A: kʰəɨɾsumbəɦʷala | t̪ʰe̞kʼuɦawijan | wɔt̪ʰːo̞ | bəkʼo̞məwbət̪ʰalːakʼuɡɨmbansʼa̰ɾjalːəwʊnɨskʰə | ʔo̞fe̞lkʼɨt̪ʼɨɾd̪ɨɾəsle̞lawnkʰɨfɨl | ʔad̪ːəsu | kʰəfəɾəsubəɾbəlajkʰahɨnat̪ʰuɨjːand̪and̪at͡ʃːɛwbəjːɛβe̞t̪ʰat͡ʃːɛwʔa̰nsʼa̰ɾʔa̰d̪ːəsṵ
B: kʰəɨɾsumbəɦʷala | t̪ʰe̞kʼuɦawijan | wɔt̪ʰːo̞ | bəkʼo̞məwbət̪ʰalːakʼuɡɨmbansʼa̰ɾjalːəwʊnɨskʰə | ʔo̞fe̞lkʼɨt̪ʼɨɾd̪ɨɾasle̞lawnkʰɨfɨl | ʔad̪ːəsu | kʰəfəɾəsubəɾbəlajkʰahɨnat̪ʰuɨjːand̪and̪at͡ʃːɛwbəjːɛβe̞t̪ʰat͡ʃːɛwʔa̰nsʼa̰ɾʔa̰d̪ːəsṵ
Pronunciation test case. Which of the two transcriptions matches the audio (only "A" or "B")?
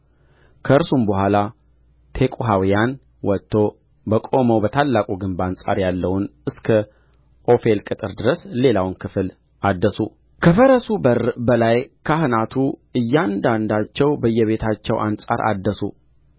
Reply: A